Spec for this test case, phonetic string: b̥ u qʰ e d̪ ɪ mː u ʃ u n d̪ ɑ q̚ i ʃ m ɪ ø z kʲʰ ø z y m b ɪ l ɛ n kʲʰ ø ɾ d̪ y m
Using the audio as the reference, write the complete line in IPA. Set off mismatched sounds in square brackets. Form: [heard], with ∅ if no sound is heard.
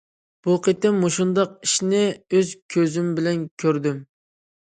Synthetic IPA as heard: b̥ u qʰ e [t̪] ɪ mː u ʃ u n d̪ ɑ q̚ i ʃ [n] ɪ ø z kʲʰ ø z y m b ɪ l ɛ n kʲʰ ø ɾ d̪ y m